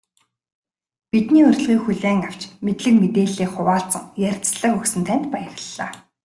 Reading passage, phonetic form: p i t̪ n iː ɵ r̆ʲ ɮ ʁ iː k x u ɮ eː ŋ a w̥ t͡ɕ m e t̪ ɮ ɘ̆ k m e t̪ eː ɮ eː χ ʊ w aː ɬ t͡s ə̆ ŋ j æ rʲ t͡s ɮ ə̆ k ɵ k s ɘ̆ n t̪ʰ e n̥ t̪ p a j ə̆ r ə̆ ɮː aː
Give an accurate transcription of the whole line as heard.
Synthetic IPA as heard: p i t̪ n iː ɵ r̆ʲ ɮ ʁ iː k x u ɮ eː ŋ a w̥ t͡ɕ m e t̪ ɮ ɘ̆ k m e t̪ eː ɮ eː χ ʊ w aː ɬ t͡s ə̆ ŋ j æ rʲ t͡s ɮ ə̆ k ɵ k s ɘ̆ n t̪ʰ æ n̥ t̪ p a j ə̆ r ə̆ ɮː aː